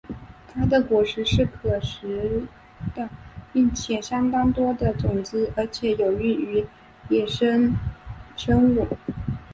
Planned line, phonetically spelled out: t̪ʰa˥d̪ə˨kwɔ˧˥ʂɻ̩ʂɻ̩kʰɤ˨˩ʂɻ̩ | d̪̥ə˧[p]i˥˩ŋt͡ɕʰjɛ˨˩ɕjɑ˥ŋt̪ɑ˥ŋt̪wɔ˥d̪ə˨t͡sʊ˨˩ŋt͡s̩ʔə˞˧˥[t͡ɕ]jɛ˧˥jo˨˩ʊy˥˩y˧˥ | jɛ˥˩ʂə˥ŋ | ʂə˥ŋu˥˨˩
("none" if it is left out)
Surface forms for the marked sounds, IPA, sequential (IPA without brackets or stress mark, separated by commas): p, t͡ɕʰ